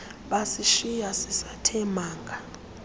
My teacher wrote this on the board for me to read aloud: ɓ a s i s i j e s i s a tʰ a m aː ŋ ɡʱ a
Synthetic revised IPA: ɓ a s i ʃ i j a s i s a tʰ ɛ m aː ŋ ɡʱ a